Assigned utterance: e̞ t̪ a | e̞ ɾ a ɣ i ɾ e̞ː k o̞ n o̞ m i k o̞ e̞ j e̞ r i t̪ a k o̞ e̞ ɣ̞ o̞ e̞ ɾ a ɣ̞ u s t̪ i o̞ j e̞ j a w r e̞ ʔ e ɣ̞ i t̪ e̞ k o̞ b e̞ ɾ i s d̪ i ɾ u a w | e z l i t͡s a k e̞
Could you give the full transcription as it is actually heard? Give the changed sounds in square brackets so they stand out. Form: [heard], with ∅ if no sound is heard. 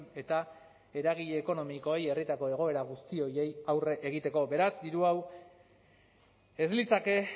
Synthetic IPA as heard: e̞ t̪ a | e̞ ɾ a ɣ i [ʎ] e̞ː k o̞ n o̞ m i k o̞ e̞ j e̞ r i t̪ a k o̞ e̞ ɣ̞ o̞ e̞ ɾ a ɣ̞ u s t̪ i o̞ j e̞ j a w r e̞ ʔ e ɣ̞ i t̪ e̞ k o̞ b e̞ ɾ [a] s d̪ i ɾ u a w | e z l i t͡s a k e̞